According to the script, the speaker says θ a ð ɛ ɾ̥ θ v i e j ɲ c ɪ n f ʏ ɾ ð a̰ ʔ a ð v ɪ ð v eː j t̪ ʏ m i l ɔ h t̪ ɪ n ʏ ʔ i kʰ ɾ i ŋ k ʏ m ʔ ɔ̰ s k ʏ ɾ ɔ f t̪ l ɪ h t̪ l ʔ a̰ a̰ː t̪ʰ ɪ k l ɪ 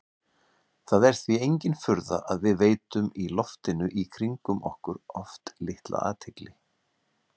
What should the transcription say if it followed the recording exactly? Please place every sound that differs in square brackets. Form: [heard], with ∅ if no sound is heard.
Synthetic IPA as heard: θ a ð ɛ ɾ̥ θ v i e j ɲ c ɪ n f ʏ ɾ ð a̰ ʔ a ð v ɪ ð v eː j t̪ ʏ m i l ɔ [f] t̪ ɪ n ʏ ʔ i kʰ ɾ i ŋ k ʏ m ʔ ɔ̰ [h] k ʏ ɾ ɔ f t̪ l ɪ h t̪ l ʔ a̰ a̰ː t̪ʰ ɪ k l ɪ